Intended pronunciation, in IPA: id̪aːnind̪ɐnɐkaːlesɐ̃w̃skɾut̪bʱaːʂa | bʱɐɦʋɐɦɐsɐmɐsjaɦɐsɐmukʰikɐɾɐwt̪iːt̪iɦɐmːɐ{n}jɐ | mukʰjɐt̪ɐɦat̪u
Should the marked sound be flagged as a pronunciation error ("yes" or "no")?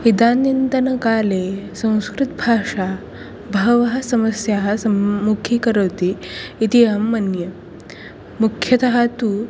no